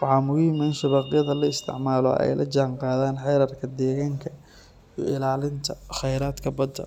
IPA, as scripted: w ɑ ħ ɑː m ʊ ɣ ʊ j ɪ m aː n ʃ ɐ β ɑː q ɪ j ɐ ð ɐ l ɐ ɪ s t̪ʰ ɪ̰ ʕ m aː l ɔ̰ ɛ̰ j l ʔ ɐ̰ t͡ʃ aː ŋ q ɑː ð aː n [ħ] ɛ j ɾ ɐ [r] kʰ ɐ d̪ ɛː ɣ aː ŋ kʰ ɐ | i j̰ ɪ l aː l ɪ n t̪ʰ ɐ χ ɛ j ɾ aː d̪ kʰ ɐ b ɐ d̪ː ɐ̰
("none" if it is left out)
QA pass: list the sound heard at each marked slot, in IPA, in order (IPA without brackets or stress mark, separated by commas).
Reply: ħ, r